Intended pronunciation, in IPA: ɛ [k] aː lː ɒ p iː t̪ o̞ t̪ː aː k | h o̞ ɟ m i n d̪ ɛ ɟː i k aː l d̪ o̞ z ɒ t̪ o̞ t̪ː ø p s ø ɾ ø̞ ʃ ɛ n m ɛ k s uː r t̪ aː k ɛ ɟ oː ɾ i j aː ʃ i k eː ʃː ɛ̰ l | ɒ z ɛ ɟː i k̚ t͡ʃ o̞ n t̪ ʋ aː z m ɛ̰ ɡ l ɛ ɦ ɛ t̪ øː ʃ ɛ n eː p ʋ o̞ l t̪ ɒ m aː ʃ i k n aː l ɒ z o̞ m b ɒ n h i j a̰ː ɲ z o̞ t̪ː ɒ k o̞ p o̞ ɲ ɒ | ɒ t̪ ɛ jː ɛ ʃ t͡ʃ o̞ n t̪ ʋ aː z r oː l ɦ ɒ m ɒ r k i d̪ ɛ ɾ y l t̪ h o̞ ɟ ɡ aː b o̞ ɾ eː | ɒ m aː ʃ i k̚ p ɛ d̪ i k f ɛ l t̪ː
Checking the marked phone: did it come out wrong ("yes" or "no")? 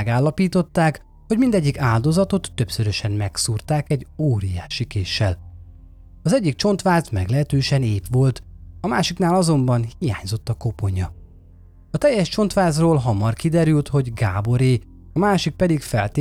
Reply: yes